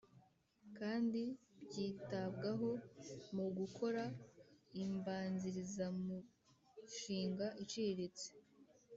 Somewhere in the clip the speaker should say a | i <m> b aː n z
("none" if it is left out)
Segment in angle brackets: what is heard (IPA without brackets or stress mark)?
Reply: m